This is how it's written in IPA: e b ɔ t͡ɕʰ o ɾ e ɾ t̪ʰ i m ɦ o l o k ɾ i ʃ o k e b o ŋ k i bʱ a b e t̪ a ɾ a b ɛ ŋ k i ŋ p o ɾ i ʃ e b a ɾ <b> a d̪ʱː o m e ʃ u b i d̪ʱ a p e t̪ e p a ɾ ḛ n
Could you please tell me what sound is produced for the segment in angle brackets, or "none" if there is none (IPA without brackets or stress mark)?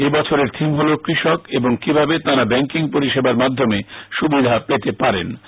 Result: m